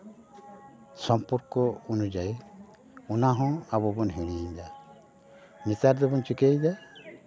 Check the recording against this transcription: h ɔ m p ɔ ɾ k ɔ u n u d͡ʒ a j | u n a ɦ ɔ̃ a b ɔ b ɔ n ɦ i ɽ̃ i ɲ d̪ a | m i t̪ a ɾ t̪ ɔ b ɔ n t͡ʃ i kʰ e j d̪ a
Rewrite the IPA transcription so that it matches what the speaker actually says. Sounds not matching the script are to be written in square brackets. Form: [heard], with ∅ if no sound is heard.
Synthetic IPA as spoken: [s] ɔ m p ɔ ɾ k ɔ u n u d͡ʒ a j | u n a ɦ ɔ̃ a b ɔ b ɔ n ɦ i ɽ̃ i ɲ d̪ a | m i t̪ a ɾ [d̪] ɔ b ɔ n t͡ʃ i [k] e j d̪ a